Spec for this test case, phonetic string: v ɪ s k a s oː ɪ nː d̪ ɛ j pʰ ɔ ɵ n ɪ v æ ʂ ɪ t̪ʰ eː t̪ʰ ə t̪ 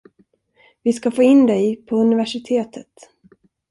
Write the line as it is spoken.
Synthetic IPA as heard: v ɪ s k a f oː ɪ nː d̪ ɛ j pʰ ɔ ɵ n ɪ v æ ʂ ɪ t̪ʰ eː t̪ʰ ə t̪